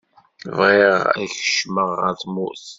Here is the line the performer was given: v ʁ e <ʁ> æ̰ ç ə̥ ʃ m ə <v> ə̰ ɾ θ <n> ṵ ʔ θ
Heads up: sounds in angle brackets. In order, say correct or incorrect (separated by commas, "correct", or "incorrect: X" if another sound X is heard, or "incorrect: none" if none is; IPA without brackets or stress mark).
correct, incorrect: ʁ, incorrect: m